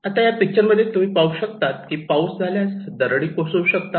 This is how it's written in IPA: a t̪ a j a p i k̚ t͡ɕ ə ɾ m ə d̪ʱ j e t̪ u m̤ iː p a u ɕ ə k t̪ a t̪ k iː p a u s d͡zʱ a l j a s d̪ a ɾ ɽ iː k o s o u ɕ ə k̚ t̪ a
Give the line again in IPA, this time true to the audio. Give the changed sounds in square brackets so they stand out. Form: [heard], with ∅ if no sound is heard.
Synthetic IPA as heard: a t̪ a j a p i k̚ t͡ɕ ə ɾ m ə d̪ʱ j e t̪ u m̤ iː p a u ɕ ə k t̪ a t̪ k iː p a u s d͡zʱ a l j a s d̪ [ə] ɾ ɽ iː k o s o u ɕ ə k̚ t̪ a